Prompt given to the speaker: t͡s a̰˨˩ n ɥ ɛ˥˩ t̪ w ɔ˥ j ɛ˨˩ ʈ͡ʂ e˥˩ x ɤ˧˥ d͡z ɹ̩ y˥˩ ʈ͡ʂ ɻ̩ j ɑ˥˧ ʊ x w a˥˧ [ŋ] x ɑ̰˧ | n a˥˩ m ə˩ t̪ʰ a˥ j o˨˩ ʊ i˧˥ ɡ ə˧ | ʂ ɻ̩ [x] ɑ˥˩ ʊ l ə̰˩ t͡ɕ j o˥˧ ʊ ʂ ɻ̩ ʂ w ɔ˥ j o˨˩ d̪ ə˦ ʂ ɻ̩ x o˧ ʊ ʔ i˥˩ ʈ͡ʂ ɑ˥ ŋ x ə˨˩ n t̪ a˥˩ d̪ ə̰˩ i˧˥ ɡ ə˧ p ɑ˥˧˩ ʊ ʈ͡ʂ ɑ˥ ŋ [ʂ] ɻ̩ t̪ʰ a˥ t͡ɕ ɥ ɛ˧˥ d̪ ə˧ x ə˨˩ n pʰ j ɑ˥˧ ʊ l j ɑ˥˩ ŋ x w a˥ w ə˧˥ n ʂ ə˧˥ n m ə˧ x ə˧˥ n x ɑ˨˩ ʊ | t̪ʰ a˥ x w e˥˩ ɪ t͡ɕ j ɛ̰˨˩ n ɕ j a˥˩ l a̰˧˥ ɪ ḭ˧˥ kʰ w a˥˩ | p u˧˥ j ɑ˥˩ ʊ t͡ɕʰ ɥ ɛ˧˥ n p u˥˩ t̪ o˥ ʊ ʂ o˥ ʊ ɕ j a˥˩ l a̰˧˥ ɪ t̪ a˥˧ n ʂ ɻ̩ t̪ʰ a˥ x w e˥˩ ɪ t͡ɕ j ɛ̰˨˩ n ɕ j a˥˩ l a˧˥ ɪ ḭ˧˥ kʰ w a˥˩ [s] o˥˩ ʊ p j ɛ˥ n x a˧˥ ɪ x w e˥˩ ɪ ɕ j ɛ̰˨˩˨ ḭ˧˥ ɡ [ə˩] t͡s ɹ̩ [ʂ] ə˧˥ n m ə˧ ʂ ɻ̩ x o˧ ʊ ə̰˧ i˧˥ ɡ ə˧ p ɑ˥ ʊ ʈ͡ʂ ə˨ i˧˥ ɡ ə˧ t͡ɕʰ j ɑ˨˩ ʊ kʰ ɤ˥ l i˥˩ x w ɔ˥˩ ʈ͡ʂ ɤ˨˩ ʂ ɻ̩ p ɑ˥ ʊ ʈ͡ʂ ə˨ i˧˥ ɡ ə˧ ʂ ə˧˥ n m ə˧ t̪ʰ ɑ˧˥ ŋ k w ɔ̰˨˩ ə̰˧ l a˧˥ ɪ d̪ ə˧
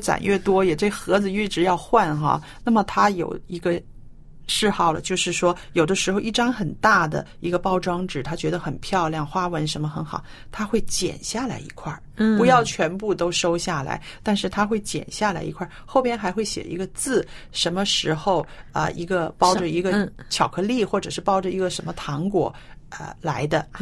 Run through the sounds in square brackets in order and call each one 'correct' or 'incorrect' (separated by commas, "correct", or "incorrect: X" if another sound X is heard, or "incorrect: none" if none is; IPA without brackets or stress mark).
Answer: incorrect: n, correct, incorrect: ʈ͡ʂ, incorrect: x, incorrect: ə˧, correct